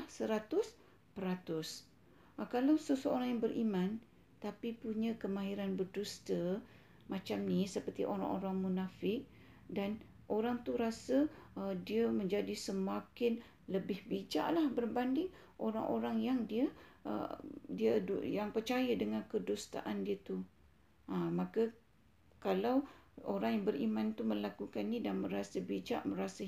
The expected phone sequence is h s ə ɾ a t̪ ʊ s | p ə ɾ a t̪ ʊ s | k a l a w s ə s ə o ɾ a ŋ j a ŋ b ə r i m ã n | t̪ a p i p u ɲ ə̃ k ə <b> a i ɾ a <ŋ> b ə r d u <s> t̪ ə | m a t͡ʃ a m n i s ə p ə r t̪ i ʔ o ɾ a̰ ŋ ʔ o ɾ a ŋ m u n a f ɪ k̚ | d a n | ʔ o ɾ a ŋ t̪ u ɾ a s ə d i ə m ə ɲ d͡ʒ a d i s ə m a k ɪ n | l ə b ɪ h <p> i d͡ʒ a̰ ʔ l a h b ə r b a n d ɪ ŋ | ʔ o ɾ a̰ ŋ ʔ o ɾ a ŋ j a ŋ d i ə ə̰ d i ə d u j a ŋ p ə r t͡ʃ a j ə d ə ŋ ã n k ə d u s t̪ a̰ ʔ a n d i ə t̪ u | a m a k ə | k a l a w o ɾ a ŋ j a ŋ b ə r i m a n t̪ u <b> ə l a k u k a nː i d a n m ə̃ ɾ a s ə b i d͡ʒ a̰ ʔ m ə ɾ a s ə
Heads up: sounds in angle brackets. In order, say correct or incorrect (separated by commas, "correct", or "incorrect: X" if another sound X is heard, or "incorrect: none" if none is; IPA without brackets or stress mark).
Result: incorrect: m, incorrect: n, correct, incorrect: b, incorrect: m